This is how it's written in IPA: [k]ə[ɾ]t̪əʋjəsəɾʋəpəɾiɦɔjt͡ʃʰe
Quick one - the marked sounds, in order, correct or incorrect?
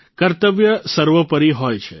correct, correct

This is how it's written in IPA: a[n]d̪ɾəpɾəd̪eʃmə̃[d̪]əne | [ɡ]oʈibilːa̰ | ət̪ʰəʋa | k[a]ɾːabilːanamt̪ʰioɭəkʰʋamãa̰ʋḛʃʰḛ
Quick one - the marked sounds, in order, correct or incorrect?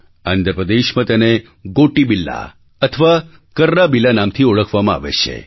correct, incorrect: t̪, correct, incorrect: ə

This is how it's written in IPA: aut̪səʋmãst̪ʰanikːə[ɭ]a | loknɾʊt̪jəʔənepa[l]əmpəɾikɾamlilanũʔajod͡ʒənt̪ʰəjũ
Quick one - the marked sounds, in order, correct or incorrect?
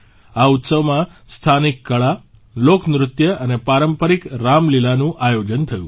correct, incorrect: ɾ

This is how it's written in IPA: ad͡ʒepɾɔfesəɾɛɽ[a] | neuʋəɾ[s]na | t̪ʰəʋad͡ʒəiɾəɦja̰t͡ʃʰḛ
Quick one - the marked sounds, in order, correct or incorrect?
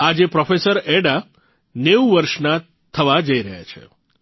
correct, incorrect: ʃ

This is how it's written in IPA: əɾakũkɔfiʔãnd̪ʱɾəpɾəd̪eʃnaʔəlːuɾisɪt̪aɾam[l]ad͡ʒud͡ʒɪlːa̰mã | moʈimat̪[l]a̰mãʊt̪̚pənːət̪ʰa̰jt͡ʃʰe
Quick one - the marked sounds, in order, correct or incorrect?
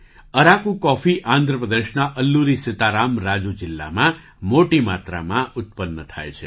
incorrect: ɾ, incorrect: ɾ

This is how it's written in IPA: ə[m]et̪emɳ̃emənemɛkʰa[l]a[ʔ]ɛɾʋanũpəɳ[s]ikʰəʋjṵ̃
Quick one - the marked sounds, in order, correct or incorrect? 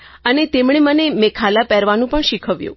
incorrect: n, correct, incorrect: p, incorrect: ʃ

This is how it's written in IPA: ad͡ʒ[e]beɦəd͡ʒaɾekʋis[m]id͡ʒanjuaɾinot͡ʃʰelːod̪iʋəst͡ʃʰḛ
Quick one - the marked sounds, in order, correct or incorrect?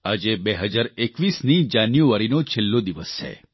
correct, incorrect: n

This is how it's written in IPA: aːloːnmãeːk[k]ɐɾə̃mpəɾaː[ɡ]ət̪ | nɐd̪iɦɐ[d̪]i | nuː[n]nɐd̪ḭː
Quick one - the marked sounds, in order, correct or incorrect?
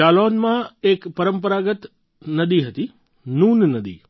incorrect: p, correct, incorrect: t̪, correct

